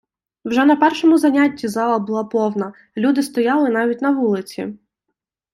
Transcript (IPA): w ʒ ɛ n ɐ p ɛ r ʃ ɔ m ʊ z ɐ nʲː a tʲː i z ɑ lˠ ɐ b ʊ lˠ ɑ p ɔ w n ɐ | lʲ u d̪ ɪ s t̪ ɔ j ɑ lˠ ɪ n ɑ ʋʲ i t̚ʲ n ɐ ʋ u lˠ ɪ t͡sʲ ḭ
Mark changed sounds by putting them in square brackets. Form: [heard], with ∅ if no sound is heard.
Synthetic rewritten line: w ʒ ɛ n ɐ p ɛ r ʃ ɔ m ʊ z ɐ [nʲ] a tʲː i z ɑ lˠ ɐ b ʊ lˠ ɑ p ɔ w n ɐ | lʲ u d̪ ɪ s t̪ ɔ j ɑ lˠ ɪ n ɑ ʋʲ i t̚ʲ n ɐ ʋ u lˠ ɪ t͡sʲ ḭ